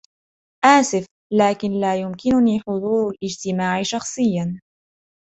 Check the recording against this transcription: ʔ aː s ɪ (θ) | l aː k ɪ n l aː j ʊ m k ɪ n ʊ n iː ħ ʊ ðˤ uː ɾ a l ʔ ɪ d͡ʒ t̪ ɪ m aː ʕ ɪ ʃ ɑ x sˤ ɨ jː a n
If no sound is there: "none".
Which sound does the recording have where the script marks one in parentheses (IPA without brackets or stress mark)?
f